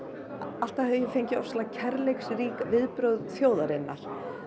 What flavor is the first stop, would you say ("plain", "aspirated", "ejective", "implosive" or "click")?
plain